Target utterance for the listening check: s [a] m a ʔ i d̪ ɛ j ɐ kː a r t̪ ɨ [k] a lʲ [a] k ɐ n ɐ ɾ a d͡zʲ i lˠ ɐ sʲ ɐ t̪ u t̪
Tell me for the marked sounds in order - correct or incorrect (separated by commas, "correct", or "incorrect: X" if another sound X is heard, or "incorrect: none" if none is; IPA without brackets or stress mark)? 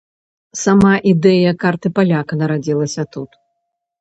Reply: correct, incorrect: p, correct